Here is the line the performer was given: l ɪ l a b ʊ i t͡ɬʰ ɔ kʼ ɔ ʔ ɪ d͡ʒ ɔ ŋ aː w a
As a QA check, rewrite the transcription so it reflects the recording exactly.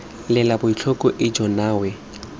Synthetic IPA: l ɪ l a b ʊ i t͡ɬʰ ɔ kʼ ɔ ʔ ɪ d͡ʒ ɔ n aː w ɛ